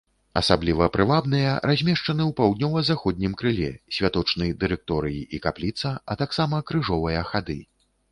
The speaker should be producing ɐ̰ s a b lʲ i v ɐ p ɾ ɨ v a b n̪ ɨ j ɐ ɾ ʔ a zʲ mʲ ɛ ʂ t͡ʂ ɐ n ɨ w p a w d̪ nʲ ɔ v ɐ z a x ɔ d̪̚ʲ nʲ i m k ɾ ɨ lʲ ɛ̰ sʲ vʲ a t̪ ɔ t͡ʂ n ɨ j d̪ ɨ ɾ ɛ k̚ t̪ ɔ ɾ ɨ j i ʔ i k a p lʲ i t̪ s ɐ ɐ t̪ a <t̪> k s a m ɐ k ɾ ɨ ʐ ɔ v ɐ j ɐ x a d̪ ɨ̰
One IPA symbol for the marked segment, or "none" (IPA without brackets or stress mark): none